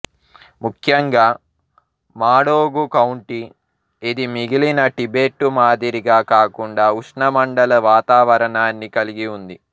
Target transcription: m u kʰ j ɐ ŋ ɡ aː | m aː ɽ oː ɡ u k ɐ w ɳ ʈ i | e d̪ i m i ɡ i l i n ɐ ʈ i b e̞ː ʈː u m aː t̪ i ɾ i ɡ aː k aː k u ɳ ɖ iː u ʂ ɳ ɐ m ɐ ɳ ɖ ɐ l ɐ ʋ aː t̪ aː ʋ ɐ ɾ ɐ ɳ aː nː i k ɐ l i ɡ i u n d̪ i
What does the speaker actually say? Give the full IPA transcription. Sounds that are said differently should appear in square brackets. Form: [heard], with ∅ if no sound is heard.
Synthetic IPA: m u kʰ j ɐ ŋ ɡ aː | m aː ɽ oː ɡ u k ɐ w ɳ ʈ i | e d̪ i m i ɡ i l i n ɐ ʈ i b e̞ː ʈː u m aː [d̪] i ɾ i ɡ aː k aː k u ɳ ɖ [aː] u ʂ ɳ ɐ m ɐ ɳ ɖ ɐ l ɐ ʋ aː t̪ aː ʋ ɐ ɾ ɐ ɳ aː nː i k ɐ l i ɡ i u n d̪ i